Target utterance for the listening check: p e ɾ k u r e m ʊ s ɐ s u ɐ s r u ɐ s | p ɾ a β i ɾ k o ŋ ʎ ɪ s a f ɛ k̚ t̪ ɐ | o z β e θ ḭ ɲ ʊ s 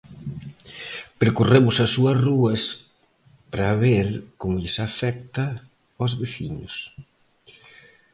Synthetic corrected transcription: p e ɾ k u r e m ʊ s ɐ s u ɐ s r u ɐ s | p ɾ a β e ɾ k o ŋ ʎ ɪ s a f ɛ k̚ t̪ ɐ | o z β e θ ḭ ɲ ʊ s